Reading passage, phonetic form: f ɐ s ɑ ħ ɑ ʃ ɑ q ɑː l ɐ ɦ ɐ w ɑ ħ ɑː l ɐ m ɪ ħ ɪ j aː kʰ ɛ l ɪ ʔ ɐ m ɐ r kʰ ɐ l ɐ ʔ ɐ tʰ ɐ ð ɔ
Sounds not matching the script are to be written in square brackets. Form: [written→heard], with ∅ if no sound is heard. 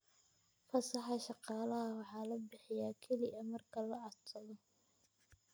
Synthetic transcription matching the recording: f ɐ s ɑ ħ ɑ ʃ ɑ q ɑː l ɐ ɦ ɐ w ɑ ħ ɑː l ɐ [m→b] ɪ ħ ɪ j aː kʰ ɛ l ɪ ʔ ɐ m ɐ r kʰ ɐ l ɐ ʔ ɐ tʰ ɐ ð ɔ

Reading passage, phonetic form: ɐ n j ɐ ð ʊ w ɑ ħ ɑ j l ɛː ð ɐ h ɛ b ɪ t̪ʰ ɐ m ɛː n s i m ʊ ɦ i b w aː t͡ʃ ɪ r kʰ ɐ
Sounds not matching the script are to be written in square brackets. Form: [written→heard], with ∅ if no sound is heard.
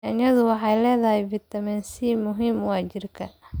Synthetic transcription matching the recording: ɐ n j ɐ ð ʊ w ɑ ħ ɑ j l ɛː ð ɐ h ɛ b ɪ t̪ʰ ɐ m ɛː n s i m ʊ ɦ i [b→m] w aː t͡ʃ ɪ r kʰ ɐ

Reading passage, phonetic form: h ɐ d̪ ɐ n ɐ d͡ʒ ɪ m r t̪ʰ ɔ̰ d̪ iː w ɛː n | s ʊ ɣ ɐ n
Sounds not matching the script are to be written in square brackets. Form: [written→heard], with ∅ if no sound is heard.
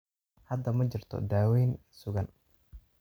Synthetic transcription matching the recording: h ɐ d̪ ɐ [n→m] ɐ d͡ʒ ɪ [m→∅] r t̪ʰ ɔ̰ d̪ [iː→aː] w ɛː n | s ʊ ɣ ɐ n

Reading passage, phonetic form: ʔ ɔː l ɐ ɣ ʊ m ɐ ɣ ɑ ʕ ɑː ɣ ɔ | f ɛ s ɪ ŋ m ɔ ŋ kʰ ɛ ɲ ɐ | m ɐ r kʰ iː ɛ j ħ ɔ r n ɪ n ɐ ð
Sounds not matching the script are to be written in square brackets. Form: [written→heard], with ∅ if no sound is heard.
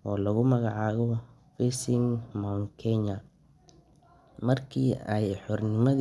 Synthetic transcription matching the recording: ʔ ɔː l ɐ ɣ ʊ m ɐ ɣ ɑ ʕ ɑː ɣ ɔ | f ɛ s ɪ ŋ m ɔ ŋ kʰ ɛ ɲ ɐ | m ɐ r kʰ iː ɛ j ħ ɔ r n ɪ [n→m] ɐ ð

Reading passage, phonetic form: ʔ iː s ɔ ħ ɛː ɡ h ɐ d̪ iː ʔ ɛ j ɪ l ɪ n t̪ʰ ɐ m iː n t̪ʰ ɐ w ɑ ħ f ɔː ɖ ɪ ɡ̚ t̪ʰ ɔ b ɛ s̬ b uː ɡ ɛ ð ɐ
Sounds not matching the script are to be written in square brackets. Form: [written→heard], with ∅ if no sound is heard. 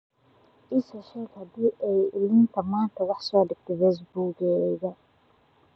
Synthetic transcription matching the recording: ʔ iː s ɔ [ħ→ʃ] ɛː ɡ h ɐ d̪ iː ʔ ɛ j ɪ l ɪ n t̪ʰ ɐ m [iː→aː] n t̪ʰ ɐ w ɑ ħ [f→s] ɔː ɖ ɪ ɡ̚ t̪ʰ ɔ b ɛ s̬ b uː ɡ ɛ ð ɐ

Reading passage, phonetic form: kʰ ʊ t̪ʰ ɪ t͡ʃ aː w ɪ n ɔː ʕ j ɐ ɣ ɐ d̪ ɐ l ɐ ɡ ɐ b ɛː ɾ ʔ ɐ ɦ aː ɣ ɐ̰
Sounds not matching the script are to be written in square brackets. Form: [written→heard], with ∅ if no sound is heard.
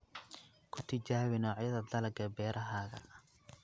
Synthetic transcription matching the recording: kʰ ʊ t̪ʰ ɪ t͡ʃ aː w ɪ n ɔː ʕ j ɐ [ɣ→ð] ɐ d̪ ɐ l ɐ ɡ ɐ b ɛː ɾ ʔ ɐ ɦ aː ɣ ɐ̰

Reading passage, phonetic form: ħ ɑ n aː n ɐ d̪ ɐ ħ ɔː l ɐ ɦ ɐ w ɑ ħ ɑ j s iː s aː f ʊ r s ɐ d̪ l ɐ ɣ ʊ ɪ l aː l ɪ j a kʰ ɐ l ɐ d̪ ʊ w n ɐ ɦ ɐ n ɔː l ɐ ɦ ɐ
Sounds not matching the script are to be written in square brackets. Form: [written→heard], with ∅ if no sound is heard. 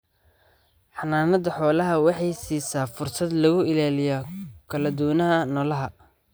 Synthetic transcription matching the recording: ħ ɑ n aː n ɐ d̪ ɐ ħ ɔː l ɐ ɦ ɐ w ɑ ħ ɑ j s iː s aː f ʊ r s ɐ d̪ l ɐ ɣ ʊ ɪ l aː l ɪ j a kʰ ɐ l ɐ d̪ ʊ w n ɐ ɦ ɐ n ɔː l ɐ ɦ ɐ

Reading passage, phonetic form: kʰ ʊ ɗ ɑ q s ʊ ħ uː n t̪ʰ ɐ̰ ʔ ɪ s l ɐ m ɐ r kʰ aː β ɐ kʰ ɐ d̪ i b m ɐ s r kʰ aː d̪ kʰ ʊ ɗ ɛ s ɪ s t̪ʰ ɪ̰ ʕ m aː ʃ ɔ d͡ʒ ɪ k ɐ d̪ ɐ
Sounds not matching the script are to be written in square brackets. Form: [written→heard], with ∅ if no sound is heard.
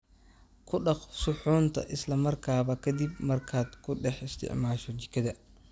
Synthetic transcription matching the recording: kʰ ʊ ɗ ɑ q s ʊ ħ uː n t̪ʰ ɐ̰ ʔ ɪ s l ɐ m ɐ r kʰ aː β ɐ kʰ ɐ d̪ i b m ɐ [s→∅] r kʰ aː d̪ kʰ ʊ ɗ ɛ [s→ħ] ɪ s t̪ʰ ɪ̰ ʕ m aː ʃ ɔ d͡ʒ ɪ k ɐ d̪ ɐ

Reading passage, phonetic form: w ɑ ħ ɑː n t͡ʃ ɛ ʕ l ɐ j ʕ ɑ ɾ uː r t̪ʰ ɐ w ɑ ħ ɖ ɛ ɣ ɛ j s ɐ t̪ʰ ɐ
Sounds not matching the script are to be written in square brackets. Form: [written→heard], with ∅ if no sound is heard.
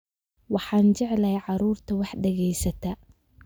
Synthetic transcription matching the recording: w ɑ ħ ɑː n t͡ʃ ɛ ʕ l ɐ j ʕ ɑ ɾ uː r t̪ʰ ɐ w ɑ ħ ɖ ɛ ɣ ɛ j s ɐ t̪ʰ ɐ

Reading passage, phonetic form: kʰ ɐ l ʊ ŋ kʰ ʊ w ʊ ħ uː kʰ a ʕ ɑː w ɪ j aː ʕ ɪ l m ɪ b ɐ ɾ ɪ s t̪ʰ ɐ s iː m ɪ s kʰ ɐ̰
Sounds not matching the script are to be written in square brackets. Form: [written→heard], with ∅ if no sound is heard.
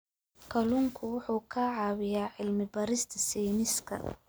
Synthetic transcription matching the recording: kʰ ɐ l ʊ ŋ kʰ ʊ w ʊ ħ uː kʰ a ʕ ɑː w ɪ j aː ʕ ɪ l m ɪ b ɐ ɾ ɪ s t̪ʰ ɐ s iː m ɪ s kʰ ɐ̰

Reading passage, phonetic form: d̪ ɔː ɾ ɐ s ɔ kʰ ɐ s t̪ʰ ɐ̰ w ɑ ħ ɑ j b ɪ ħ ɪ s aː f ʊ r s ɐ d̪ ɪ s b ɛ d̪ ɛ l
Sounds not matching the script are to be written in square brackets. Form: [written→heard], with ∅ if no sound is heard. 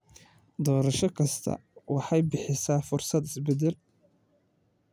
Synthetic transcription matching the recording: d̪ ɔː ɾ ɐ [s→ʃ] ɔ kʰ ɐ s t̪ʰ ɐ̰ w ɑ ħ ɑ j b ɪ ħ ɪ s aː f ʊ r s ɐ d̪ ɪ s b ɛ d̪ ɛ l

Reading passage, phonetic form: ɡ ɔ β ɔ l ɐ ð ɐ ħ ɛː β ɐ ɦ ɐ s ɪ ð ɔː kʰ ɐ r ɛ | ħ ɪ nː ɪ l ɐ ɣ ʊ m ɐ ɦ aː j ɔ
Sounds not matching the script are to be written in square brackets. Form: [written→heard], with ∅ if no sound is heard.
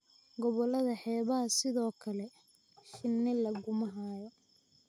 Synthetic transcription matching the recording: ɡ ɔ β ɔ l ɐ ð ɐ ħ ɛː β ɐ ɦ ɐ s ɪ ð ɔː kʰ ɐ [r→l] ɛ | [ħ→ʃ] ɪ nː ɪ l ɐ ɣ ʊ m ɐ ɦ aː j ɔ

